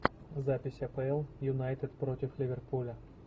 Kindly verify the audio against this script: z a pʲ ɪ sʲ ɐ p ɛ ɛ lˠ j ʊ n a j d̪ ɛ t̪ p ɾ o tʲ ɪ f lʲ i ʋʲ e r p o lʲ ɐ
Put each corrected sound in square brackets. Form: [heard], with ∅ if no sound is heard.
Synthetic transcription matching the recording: z a pʲ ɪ sʲ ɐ p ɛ ɛ lˠ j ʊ n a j [t̪] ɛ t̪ p ɾ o tʲ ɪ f lʲ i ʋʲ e r p [u] lʲ ɐ